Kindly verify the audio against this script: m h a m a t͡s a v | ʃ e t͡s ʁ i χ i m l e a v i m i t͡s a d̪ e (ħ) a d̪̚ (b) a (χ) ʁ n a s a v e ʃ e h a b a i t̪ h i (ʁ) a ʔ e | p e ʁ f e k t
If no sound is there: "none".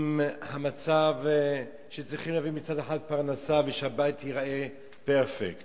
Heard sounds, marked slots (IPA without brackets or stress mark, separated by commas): ħ, p, none, ʁ